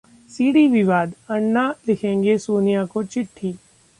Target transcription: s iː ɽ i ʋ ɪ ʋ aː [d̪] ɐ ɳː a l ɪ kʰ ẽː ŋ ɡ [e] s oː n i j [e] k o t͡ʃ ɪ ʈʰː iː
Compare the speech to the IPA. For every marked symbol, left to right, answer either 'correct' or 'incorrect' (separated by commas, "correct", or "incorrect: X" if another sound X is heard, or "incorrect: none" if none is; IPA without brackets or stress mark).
correct, correct, incorrect: a